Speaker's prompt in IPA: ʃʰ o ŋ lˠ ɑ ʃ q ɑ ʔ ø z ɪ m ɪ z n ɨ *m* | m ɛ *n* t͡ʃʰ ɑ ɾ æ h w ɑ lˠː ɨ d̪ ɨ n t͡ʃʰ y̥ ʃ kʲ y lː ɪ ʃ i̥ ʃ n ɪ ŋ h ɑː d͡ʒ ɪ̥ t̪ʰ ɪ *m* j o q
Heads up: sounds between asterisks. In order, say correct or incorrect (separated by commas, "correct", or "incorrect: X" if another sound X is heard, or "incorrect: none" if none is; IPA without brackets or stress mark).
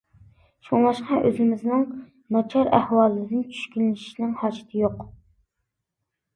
incorrect: ŋ, incorrect: none, incorrect: none